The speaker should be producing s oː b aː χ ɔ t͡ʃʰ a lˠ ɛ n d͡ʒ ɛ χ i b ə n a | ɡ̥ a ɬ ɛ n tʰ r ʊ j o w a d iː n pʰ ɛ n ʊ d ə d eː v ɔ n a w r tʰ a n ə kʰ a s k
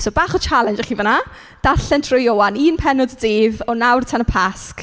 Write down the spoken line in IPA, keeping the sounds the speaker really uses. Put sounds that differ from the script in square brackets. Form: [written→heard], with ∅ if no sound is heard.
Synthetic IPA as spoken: s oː b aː χ ɔ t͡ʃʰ a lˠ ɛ n d͡ʒ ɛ χ i [b→v] ə n a | [ɡ̥→d̥] a ɬ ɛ n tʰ r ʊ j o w a [d→n] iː n pʰ ɛ n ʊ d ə d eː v ɔ n a w r tʰ a n ə [kʰ→pʰ] a s k